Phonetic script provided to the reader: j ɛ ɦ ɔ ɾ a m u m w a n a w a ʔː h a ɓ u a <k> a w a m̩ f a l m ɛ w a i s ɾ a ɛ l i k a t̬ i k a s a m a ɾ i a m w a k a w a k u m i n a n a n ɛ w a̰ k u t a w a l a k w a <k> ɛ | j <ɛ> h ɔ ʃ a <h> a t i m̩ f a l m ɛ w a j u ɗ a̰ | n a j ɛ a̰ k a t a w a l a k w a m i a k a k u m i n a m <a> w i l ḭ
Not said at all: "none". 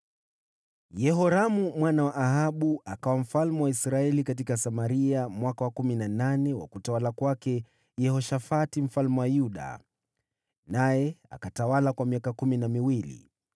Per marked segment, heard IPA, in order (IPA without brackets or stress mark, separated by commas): k, k, ɛ, f, i